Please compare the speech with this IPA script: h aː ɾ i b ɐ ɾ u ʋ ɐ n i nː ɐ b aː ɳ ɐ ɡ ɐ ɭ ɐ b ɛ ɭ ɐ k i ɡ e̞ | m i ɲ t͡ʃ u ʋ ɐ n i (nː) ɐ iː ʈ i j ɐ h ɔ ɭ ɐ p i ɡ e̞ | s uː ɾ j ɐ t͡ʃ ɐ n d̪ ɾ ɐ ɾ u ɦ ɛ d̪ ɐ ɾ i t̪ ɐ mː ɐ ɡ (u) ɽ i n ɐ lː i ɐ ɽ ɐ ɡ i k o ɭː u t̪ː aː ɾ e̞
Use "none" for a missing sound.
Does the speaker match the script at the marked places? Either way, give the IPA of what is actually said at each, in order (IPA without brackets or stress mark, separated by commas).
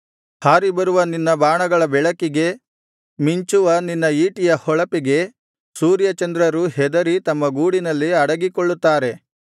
nː, uː